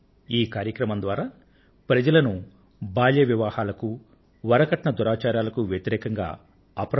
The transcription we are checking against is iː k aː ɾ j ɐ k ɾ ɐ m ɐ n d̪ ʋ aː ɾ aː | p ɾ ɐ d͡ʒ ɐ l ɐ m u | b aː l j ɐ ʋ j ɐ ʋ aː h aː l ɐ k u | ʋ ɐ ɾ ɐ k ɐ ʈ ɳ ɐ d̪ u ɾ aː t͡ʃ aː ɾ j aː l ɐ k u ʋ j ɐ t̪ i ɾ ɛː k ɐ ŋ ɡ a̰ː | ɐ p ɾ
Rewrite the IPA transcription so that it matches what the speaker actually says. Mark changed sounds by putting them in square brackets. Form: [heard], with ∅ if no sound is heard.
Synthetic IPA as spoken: iː k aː ɾ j ɐ k ɾ ɐ m ɐ n d̪ ʋ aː ɾ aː | p ɾ ɐ d͡ʒ ɐ l ɐ [n] u | b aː l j ɐ ʋ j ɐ ʋ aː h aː l ɐ k u | ʋ ɐ ɾ ɐ k ɐ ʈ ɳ ɐ d̪ u ɾ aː t͡ʃ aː ɾ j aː l ɐ k u ʋ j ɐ t̪ i ɾ ɛː k ɐ ŋ ɡ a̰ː | ɐ p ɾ